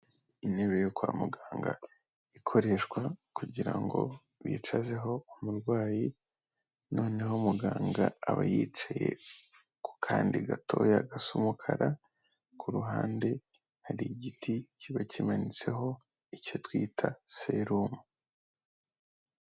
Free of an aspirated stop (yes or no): no